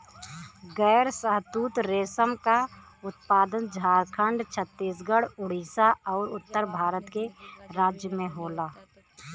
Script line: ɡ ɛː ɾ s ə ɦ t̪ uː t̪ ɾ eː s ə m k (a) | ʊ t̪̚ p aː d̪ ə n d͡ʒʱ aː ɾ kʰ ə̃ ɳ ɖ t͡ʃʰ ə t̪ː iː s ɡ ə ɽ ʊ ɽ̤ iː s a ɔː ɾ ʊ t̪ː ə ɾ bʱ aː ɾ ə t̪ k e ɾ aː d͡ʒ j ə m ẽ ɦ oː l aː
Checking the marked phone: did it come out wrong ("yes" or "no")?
no